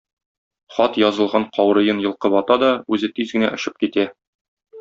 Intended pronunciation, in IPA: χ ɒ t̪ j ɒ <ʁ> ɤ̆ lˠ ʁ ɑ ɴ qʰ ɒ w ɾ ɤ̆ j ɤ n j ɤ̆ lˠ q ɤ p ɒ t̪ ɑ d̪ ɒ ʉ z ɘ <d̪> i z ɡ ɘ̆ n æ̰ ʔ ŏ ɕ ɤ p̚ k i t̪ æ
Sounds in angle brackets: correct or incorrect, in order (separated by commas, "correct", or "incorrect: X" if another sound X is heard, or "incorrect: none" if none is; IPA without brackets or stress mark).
incorrect: z, incorrect: t̪